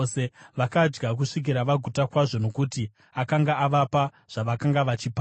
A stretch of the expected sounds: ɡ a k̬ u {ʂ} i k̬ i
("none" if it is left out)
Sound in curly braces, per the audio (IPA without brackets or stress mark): ʂ